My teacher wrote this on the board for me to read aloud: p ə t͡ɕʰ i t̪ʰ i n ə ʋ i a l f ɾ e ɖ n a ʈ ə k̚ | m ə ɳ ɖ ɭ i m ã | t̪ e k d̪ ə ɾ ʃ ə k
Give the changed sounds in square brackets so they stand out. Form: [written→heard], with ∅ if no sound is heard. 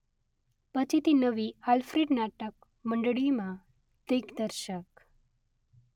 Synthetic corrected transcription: p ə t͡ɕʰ i [t̪ʰ→t̪] i n ə ʋ i a l f ɾ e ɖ n a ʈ ə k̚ | m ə ɳ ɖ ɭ i m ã | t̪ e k d̪ ə ɾ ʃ ə k

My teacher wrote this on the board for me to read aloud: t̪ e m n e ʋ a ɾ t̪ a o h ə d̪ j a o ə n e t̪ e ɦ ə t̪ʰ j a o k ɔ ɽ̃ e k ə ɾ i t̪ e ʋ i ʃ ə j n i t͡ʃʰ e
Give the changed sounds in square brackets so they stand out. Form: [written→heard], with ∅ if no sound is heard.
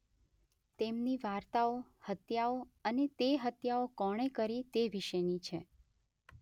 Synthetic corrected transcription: t̪ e m n [e→i] ʋ a ɾ t̪ a o h ə [d̪→t̪] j a o ə n e t̪ e ɦ ə [t̪ʰ→t̪] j a o k ɔ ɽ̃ e k ə ɾ i t̪ e ʋ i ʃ ə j n i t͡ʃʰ e

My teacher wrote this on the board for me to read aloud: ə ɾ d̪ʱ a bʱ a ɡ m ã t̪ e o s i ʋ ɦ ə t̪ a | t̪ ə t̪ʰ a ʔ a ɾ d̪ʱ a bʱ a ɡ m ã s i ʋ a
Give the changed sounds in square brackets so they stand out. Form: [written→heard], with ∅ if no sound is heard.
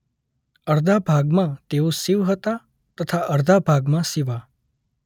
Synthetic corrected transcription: ə ɾ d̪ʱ a bʱ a ɡ m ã t̪ e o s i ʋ ɦ ə t̪ a | t̪ ə t̪ʰ a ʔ [a→ə] ɾ d̪ʱ a bʱ a ɡ m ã s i ʋ a

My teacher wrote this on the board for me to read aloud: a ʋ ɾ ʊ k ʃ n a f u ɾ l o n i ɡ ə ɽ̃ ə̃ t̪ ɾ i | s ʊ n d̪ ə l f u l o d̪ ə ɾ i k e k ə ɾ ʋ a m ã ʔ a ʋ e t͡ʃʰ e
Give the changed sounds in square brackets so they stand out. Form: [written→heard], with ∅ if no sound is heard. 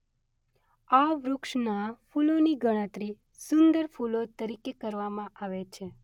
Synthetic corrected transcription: a ʋ ɾ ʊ k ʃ n a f u [ɾ→∅] l o n i ɡ ə ɽ̃ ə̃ t̪ ɾ i | s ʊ n d̪ ə [l→ɾ] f u l o [d̪→t̪] ə ɾ i k e k ə ɾ ʋ a m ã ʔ a ʋ e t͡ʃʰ e

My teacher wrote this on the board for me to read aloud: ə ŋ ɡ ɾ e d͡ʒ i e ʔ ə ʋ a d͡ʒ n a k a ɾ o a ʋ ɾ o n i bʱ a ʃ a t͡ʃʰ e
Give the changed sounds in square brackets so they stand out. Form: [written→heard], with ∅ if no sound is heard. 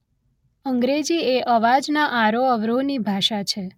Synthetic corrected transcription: ə ŋ ɡ ɾ e d͡ʒ i e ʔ ə ʋ a d͡ʒ n a [k→ʔ] a ɾ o [a→ə] ʋ ɾ o n i bʱ a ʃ a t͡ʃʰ e

